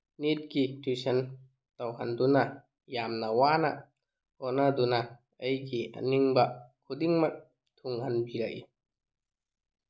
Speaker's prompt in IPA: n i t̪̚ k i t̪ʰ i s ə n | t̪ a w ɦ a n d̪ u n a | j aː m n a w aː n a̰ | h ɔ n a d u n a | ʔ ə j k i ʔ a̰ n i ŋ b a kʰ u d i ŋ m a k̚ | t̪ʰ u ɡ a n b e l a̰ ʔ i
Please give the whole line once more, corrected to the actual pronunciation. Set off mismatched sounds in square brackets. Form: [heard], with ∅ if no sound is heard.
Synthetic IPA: n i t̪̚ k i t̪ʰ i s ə n | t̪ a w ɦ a n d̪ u n a | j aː m n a w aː n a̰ | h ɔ n a d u n a | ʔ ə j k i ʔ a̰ n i ŋ b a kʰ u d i ŋ m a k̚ | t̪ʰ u [ŋ] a n b [i] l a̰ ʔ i

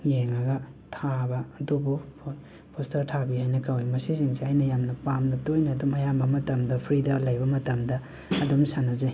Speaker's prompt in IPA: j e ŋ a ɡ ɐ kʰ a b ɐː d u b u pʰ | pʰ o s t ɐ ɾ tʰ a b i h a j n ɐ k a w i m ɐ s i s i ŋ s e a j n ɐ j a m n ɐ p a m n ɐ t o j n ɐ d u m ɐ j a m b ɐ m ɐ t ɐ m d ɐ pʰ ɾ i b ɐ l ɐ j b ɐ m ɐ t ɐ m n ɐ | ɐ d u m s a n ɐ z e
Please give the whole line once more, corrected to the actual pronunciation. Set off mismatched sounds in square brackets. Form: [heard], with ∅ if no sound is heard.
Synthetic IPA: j e ŋ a ɡ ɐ [tʰ] a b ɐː d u b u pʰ | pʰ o s t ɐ ɾ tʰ a b i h a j n ɐ k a w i m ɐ s i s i ŋ s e a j n ɐ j a m n ɐ p a m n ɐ t o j n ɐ d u m ɐ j a m b ɐ m ɐ t ɐ m d ɐ pʰ ɾ i [d] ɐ l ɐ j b ɐ m ɐ t ɐ m [d] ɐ | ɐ d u m s a n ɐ z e

